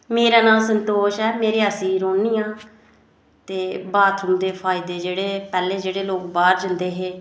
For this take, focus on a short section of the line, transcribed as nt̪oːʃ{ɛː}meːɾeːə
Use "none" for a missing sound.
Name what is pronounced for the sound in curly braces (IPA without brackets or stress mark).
ɛː